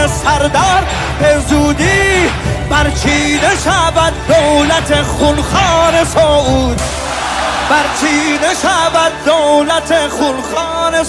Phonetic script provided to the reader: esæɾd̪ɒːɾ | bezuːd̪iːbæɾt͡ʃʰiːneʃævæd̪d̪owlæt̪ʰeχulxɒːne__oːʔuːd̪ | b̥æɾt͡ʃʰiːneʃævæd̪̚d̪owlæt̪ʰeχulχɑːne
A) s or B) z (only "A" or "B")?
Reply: A